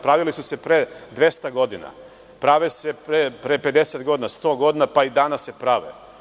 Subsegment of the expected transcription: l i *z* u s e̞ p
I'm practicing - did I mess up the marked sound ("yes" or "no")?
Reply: yes